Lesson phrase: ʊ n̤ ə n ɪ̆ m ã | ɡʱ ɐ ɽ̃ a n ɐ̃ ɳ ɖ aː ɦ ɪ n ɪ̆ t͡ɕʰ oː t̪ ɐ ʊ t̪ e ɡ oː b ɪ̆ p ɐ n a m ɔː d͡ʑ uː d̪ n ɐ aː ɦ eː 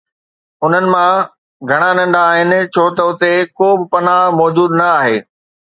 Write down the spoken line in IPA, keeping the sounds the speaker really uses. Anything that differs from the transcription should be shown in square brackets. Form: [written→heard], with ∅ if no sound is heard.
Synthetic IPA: ʊ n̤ ə n ɪ̆ m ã | ɡʱ ɐ ɽ̃ a n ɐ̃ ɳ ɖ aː ɦ ɪ n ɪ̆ t͡ɕʰ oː t̪ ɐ ʊ t̪ e [ɡ→k] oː b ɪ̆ p ɐ n a m ɔː d͡ʑ uː d̪ n ɐ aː ɦ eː